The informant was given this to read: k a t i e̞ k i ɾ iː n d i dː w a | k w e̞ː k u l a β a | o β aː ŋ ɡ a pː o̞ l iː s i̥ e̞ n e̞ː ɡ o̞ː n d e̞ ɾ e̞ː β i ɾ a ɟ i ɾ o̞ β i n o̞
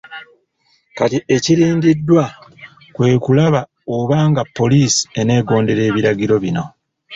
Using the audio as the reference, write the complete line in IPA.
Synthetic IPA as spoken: k a t i e̞ c i ɾ iː n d i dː w a | k w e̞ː k u l a β a | o β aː ŋ ɡ a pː o̞ l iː s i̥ e̞ n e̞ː ɡ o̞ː n d e̞ ɾ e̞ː β i ɾ a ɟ i ɾ o̞ β i n o̞